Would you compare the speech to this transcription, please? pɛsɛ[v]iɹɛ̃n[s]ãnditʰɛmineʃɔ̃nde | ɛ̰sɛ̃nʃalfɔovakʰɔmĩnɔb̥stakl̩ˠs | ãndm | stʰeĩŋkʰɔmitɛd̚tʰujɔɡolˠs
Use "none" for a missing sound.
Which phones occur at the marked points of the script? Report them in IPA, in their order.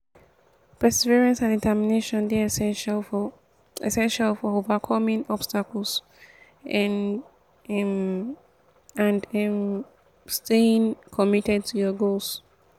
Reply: v, s

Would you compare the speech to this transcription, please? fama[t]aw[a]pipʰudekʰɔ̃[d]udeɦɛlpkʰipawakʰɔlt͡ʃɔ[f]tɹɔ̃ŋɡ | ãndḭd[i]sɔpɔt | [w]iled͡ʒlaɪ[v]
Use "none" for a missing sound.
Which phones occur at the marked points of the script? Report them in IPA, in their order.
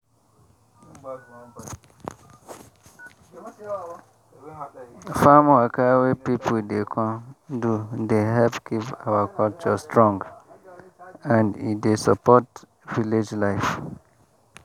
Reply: k, e, d, s, e, v, f

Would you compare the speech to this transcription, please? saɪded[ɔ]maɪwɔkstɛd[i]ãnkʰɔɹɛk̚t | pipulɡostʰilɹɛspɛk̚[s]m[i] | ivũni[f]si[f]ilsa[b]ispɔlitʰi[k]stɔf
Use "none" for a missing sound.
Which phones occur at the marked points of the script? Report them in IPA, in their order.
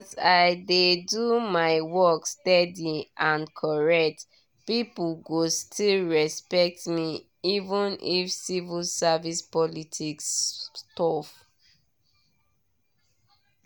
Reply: u, i, t, i, f, v, v, k

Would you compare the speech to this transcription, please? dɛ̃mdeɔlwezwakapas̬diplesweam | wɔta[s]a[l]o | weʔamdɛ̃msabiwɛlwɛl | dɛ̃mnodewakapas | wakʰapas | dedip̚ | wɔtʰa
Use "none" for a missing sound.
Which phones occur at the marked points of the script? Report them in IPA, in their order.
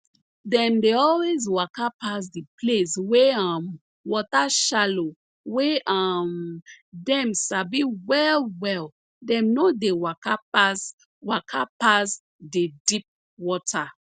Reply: ʃ, l

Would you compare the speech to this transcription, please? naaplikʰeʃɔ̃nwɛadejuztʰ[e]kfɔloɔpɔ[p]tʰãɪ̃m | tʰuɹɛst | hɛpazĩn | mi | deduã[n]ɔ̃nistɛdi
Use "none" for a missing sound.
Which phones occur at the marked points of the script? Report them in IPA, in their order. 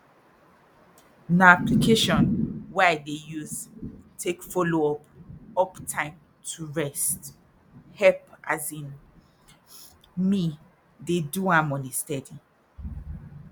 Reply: e, p, m

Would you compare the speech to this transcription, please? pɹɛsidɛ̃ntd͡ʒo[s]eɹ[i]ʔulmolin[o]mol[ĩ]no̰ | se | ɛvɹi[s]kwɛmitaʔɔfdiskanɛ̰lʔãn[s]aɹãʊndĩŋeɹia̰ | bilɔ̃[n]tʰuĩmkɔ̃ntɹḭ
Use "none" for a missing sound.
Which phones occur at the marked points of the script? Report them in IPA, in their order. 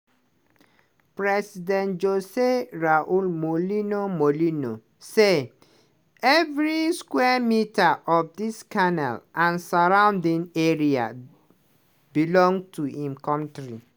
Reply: s, a, o, i, s, s, ŋ

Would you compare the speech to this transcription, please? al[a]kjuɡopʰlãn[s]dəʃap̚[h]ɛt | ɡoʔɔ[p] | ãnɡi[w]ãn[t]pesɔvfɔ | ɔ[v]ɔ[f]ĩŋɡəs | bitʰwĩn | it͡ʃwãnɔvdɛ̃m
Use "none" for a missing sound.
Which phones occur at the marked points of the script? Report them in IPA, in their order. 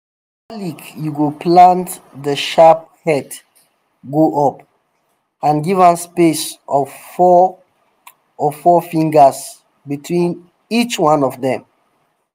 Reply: i, t, h, p, v, s, f, f

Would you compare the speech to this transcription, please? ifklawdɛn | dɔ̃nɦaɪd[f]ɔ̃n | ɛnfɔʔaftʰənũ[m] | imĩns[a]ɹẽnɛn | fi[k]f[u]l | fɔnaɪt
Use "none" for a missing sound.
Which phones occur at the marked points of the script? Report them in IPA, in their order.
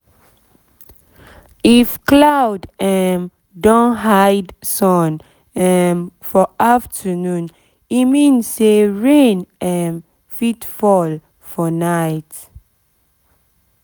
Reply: s, n, e, t, ɔ

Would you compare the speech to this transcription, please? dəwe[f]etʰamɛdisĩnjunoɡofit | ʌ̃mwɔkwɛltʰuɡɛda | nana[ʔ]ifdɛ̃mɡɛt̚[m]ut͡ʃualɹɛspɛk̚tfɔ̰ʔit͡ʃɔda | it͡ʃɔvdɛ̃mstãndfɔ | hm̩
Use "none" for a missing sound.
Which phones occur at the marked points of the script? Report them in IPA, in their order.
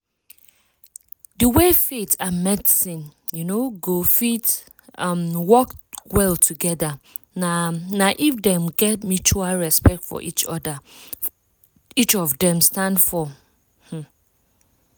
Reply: f, ʔ, m

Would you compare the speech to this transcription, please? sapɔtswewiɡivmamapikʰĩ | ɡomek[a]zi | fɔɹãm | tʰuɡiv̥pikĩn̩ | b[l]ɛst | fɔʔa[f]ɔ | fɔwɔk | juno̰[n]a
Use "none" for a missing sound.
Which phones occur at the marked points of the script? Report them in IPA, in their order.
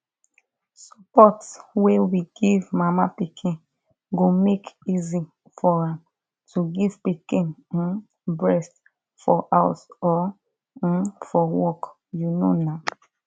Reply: i, ɹ, s, n

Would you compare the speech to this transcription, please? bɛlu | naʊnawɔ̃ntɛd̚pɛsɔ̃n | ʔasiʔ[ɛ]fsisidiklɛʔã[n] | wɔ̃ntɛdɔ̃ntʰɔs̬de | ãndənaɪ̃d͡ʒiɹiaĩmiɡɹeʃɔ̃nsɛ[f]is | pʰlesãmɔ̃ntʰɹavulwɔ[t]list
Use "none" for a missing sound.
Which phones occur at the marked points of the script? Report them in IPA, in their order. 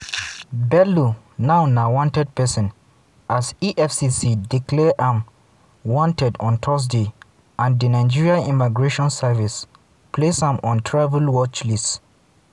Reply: ɛ, m, v, t͡ʃ

